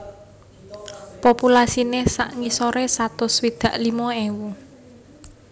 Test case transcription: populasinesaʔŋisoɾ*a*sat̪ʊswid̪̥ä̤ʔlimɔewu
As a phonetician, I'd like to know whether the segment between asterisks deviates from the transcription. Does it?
yes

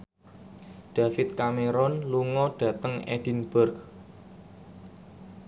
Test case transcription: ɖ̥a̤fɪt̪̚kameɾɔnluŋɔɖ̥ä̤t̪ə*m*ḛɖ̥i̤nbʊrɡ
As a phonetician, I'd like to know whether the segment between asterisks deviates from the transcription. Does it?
yes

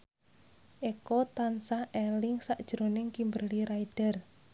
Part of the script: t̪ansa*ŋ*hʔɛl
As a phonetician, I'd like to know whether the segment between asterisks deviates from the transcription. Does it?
yes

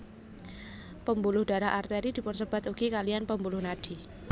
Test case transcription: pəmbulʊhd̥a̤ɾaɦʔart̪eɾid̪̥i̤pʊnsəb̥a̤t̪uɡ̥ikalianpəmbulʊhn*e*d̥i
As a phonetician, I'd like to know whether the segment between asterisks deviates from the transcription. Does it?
yes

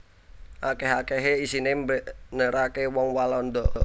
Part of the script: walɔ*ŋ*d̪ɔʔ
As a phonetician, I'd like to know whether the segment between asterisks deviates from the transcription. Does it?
yes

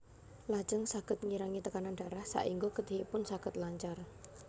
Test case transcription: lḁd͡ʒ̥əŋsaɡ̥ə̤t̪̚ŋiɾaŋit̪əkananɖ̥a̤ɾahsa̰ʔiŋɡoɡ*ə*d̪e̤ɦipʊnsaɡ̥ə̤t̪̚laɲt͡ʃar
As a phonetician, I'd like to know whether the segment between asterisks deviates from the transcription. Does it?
no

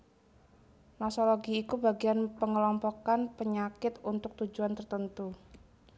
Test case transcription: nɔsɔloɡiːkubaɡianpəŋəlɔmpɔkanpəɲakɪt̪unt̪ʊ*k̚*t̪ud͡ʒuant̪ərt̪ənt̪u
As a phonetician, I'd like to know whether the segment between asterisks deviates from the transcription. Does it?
no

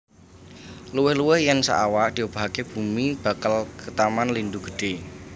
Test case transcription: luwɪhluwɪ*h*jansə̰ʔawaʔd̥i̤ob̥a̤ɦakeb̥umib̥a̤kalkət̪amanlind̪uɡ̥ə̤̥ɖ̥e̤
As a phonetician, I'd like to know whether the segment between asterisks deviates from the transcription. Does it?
no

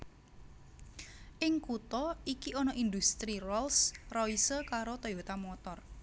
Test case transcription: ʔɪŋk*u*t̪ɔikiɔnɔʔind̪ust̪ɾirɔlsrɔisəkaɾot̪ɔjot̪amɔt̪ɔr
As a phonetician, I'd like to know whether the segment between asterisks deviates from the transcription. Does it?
no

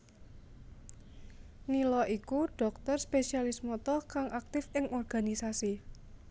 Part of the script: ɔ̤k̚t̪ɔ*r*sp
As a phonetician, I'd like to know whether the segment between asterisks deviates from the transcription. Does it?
no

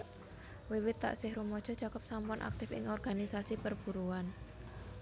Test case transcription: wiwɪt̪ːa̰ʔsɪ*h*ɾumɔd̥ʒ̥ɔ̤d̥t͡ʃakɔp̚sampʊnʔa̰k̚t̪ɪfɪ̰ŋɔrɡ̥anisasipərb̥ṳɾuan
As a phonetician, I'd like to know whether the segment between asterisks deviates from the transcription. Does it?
no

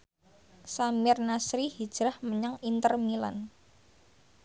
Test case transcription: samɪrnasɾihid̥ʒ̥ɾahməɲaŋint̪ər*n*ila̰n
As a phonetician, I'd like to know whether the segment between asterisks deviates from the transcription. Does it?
yes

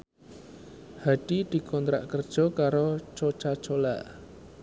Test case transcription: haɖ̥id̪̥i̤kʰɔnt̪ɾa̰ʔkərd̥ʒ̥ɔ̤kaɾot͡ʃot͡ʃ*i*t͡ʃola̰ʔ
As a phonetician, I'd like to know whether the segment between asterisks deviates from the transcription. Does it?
yes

